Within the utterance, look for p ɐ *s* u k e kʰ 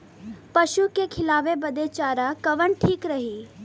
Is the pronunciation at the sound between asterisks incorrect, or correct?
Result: incorrect